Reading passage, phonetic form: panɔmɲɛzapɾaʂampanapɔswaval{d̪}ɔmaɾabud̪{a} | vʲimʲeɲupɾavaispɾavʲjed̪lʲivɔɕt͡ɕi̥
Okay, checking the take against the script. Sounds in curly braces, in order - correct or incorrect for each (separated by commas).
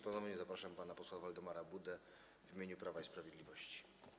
correct, incorrect